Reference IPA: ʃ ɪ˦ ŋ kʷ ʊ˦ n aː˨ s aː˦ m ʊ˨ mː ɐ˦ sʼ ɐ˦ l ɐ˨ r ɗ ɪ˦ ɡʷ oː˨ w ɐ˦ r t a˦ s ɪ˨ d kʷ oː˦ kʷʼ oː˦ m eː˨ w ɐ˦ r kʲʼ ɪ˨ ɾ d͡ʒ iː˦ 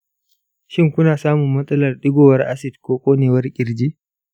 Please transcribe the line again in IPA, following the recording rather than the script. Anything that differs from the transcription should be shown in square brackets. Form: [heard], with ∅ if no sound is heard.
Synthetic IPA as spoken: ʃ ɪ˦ ŋ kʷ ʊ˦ n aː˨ s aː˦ m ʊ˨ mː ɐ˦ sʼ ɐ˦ l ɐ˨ r ɗ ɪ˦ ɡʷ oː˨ w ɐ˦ r [ʔ] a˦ s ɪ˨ d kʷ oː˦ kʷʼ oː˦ [n] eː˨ w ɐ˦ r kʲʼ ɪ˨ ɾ d͡ʒ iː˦